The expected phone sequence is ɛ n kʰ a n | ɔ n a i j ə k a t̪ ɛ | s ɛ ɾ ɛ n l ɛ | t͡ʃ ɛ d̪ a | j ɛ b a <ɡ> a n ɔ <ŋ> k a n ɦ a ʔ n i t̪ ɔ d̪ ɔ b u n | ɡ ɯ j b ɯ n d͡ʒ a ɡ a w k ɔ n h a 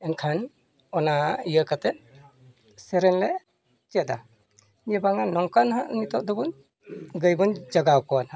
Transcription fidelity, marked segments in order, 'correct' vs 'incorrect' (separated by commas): incorrect, correct